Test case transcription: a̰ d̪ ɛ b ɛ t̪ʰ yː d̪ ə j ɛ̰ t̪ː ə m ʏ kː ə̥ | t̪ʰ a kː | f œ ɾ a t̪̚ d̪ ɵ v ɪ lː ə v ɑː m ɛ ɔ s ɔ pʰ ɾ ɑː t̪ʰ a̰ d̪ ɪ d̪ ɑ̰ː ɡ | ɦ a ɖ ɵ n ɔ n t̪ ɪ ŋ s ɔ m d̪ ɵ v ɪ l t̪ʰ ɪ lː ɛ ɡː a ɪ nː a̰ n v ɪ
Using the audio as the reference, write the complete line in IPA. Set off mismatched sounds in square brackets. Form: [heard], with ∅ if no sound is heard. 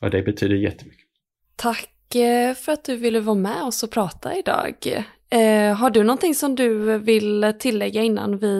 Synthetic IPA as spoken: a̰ d̪ ɛ b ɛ t̪ʰ yː d̪ ə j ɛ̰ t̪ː ə m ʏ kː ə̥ | t̪ʰ a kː | f œ ɾ a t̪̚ d̪ ɵ v ɪ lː ə v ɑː m ɛ ɔ s ɔ pʰ ɾ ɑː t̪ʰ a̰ [∅] ɪ d̪ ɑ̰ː ɡ | ɦ a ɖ ɵ n ɔ n t̪ ɪ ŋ s ɔ m d̪ ɵ v ɪ l t̪ʰ ɪ lː ɛ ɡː a ɪ nː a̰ n v ɪ